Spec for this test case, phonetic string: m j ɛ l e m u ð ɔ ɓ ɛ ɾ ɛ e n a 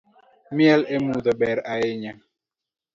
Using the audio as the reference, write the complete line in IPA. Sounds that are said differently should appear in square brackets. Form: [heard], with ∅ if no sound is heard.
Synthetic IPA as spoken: m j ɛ l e m u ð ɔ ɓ ɛ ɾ [a] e [ɲ] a

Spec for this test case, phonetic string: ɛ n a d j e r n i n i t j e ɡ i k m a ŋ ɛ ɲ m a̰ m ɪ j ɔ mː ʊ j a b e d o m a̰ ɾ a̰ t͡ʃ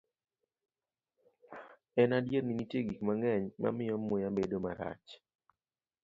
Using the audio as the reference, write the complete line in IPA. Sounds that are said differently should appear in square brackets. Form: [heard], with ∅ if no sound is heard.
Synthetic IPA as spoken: ɛ n a d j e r n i n i t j e ɡ i k m a ŋ ɛ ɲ m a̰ m ɪ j ɔ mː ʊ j a b e d o m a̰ ɾ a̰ t͡ʃ

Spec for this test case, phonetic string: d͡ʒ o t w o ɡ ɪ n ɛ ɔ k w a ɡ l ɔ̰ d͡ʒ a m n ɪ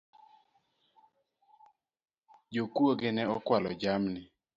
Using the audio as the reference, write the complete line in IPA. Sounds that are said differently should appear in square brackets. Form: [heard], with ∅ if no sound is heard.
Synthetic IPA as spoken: d͡ʒ o [k] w o ɡ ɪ n ɛ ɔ k w a [∅] l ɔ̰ d͡ʒ a m n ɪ

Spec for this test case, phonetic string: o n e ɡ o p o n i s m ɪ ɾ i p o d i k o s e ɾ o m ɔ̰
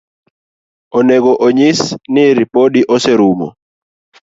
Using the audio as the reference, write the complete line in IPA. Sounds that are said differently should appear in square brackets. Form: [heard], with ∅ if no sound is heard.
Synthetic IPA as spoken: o n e ɡ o [ʔ] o [ɲ] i s [n] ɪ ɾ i p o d i [ʔ] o s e ɾ [u] m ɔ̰

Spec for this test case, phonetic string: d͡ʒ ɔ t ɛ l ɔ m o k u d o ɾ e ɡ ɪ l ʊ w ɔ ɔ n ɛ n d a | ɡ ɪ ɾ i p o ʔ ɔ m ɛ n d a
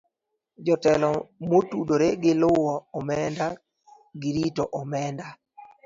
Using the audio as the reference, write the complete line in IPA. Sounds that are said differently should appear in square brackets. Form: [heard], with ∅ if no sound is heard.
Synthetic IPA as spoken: d͡ʒ ɔ t ɛ l ɔ m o [t] u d o ɾ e ɡ ɪ l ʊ w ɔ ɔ [m] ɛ n d a | ɡ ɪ ɾ i [t] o ʔ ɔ m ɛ n d a

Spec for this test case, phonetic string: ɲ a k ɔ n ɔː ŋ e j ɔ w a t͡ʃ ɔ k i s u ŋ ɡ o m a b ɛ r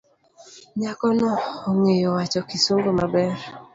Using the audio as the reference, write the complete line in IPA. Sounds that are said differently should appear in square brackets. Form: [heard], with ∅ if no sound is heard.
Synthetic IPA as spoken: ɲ a k ɔ n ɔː ŋ e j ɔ w a t͡ʃ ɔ k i s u ŋ ɡ o m a b ɛ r

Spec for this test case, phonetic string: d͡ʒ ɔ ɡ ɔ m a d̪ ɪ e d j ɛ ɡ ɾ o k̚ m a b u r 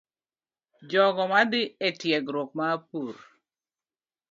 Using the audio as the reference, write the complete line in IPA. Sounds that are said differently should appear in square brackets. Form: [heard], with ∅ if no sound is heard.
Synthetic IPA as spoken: d͡ʒ ɔ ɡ ɔ m a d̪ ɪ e [t] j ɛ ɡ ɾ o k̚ m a [p] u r

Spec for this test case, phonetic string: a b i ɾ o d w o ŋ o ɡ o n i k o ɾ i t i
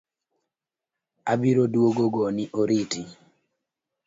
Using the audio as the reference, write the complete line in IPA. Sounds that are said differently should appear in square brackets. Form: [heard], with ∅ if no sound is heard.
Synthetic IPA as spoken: a b i ɾ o d w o [ɡ] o ɡ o n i [ʔ] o ɾ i t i

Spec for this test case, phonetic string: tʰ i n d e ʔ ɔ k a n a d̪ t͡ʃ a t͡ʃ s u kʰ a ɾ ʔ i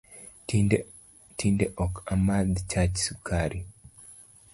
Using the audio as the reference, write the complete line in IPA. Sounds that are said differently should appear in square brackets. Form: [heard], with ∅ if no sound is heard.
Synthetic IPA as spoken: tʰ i n d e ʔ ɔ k a [m] a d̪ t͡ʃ a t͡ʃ s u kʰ a ɾ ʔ i

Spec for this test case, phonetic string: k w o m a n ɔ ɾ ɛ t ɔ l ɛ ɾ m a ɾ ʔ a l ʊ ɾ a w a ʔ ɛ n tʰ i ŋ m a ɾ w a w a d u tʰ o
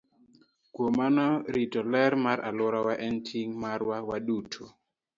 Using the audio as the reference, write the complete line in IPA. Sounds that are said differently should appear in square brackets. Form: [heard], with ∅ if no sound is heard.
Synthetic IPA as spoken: k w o m a n ɔ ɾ [i] t ɔ l ɛ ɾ m a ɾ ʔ a l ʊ ɾ a w a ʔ ɛ n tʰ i ŋ m a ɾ w a w a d u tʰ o

